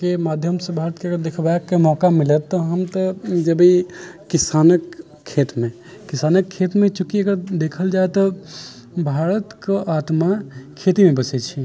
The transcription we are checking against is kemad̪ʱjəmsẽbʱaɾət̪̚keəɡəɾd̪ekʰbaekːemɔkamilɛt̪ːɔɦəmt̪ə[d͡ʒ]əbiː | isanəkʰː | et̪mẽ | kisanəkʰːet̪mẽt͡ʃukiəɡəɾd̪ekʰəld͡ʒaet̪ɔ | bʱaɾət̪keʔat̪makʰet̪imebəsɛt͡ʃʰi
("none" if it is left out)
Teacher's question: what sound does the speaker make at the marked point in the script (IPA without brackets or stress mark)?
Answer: d͡ʒ